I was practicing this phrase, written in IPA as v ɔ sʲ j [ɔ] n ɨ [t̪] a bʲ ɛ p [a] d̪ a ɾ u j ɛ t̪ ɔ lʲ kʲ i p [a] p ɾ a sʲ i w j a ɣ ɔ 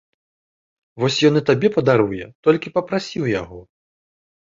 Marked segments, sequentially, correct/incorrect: correct, correct, incorrect: ɐ, incorrect: ɐ

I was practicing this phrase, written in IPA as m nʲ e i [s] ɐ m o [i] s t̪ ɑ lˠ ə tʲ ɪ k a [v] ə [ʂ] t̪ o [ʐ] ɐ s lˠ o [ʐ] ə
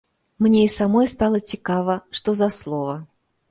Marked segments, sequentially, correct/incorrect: correct, incorrect: j, correct, correct, incorrect: z, incorrect: v

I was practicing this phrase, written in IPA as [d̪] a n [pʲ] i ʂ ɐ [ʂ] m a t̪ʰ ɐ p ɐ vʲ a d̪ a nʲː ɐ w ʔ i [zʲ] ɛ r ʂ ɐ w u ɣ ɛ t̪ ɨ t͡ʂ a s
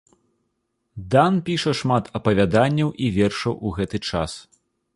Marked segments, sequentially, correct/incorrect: correct, correct, correct, incorrect: vʲ

